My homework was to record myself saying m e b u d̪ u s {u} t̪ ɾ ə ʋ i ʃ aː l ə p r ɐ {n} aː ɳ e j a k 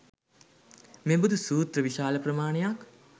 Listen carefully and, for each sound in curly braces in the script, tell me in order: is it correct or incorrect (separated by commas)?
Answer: incorrect, incorrect